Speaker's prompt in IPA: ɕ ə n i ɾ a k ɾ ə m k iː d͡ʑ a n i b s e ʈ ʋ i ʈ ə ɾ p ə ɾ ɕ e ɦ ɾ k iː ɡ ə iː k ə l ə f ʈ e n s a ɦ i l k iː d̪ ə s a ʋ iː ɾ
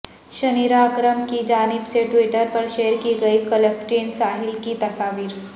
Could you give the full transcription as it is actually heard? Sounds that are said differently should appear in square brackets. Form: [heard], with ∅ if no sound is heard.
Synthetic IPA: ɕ ə n i ɾ a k ɾ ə m k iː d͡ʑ a n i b s e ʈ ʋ i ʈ ə ɾ p ə ɾ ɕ e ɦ ɾ k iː ɡ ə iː k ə l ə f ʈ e n s a ɦ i l k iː [t̪] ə s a ʋ iː ɾ